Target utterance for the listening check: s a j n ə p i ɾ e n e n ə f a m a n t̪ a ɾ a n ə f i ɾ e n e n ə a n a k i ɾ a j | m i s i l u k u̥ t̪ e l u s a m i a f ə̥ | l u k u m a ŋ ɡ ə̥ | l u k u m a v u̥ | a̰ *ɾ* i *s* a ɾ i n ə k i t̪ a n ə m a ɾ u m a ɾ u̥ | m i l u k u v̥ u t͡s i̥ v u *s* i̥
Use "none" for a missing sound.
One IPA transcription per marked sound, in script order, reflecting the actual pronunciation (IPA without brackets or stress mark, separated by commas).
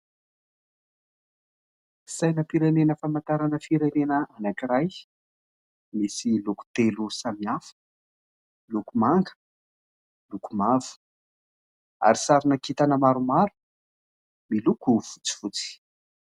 ɾ, s, t͡s